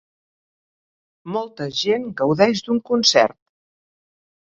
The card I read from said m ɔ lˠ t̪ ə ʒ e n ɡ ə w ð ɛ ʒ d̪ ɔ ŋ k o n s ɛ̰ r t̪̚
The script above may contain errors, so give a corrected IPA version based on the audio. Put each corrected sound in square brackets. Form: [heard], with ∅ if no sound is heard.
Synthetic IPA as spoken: m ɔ lˠ t̪ ə ʒ e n ɡ ə w ð ɛ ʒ d̪ [u] ŋ k [u] n s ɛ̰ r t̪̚